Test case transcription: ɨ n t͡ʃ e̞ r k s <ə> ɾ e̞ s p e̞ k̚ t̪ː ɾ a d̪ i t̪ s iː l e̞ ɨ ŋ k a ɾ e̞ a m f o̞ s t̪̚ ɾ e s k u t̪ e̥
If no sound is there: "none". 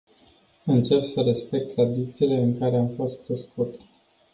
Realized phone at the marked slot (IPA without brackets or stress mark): ə